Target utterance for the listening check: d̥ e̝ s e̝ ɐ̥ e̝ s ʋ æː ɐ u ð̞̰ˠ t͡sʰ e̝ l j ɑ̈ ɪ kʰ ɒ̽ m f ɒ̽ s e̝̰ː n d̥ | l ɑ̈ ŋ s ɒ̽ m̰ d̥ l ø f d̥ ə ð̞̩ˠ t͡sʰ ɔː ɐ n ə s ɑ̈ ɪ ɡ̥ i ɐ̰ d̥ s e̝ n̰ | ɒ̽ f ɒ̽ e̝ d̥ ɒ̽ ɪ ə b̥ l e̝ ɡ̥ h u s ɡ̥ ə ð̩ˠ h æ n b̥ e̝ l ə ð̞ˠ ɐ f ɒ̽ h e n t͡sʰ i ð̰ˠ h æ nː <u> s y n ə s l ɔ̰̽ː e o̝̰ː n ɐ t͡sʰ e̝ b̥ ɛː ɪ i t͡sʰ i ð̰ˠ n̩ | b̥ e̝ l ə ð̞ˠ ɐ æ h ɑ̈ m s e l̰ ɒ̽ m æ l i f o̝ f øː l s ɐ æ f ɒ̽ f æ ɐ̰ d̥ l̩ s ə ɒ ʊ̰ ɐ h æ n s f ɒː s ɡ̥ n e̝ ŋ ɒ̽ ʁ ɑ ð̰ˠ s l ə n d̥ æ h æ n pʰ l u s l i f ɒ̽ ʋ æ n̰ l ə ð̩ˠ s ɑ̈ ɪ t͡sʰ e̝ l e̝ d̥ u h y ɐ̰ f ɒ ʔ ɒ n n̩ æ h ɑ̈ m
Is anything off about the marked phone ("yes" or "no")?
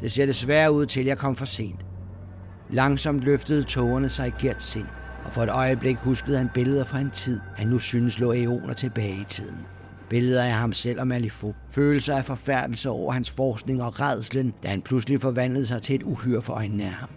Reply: no